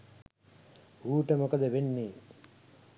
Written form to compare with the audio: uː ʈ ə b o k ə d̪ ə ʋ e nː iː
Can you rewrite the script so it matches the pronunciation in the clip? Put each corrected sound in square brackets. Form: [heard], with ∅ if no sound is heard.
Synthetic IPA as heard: uː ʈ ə [m] o k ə d̪ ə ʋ e nː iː